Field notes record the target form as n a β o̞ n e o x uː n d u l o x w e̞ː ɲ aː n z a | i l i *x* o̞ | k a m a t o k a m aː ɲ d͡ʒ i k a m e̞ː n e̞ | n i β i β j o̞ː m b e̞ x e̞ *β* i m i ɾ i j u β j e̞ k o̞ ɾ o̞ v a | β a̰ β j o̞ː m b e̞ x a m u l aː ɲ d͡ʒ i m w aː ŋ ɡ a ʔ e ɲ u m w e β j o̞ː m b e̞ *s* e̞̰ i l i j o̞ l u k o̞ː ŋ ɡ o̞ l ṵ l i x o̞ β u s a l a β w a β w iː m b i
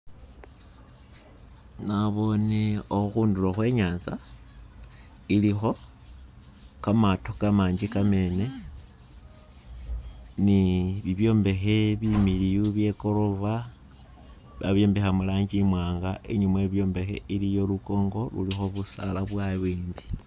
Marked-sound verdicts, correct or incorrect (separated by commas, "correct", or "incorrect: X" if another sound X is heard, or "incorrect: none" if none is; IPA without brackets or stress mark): correct, correct, incorrect: x